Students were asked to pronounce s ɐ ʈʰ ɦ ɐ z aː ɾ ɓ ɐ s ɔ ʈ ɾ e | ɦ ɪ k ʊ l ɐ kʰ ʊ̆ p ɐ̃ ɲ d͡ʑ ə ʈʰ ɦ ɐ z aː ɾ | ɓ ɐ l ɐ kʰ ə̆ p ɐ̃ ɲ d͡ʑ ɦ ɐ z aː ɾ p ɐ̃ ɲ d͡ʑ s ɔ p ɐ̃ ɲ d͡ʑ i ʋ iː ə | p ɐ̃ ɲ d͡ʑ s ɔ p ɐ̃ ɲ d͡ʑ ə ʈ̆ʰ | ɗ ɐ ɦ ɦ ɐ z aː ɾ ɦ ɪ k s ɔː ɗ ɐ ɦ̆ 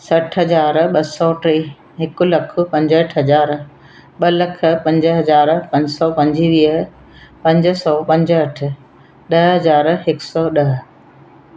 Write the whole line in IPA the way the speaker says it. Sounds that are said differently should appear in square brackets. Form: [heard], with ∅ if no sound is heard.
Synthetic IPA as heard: s ɐ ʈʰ ɦ ɐ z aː ɾ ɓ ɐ s ɔ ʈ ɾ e | ɦ ɪ k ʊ l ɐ kʰ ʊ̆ p ɐ̃ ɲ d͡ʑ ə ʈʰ ɦ ɐ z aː ɾ | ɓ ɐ l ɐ kʰ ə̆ p ɐ̃ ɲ d͡ʑ ɦ ɐ z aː ɾ p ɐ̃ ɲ d͡ʑ s ɔ p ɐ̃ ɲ d͡ʑ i ʋ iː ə | p ɐ̃ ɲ d͡ʑ s ɔ p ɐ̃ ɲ d͡ʑ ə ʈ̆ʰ | ɗ ɐ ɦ ɦ ɐ z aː ɾ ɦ ɪ k s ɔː ɗ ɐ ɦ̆